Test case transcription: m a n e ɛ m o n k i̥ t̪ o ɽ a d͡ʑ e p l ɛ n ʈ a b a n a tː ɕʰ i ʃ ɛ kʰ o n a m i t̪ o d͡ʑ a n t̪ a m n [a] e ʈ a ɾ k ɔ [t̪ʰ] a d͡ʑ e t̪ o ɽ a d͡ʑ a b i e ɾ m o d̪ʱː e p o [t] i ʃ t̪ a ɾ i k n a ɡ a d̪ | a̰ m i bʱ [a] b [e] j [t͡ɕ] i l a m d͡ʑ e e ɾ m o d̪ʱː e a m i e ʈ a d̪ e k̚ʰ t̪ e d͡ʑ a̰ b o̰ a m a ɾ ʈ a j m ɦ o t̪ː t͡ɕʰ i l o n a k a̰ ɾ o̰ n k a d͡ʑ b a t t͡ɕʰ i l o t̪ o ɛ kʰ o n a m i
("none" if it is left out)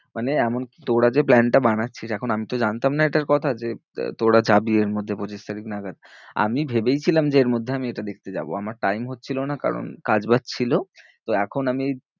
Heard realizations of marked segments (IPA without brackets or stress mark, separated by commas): a, t̪ʰ, t͡ɕ, e, e, t͡ɕʰ